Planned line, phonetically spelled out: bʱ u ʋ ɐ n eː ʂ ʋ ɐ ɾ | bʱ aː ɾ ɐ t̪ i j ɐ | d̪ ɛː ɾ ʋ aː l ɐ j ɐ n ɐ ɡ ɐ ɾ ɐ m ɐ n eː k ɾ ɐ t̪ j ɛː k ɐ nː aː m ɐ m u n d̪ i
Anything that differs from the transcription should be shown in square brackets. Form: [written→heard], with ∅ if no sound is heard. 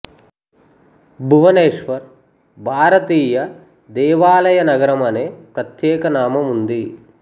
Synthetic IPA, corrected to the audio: bʱ u ʋ ɐ n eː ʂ ʋ ɐ ɾ | bʱ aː ɾ ɐ t̪ [i→iː] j ɐ | d̪ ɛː [ɾ→∅] ʋ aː l ɐ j ɐ n ɐ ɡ ɐ ɾ ɐ m ɐ n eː [k→p] ɾ ɐ t̪ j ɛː k ɐ [nː→n] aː m ɐ m u n d̪ i